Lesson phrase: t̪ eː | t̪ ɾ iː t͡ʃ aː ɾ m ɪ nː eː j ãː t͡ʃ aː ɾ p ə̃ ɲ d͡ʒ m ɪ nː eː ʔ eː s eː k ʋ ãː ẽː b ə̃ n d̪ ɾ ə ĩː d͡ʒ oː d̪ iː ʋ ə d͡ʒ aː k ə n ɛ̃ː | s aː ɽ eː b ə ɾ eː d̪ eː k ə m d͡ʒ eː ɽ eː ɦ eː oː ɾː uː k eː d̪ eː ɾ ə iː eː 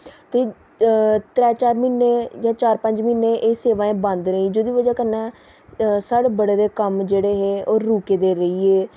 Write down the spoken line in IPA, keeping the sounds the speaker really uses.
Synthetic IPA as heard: t̪ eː | t̪ ɾ ɛː t͡ʃ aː ɾ m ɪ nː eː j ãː t͡ʃ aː ɾ p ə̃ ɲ d͡ʒ m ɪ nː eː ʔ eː s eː ʋ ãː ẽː b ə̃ n d̪ ɾ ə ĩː d͡ʒ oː d̪ iː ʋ ə d͡ʒ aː k ə n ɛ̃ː | s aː ɽ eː b ə ɽ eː d̪ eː k ə m d͡ʒ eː ɽ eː ɦ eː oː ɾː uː k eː d̪ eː ɾ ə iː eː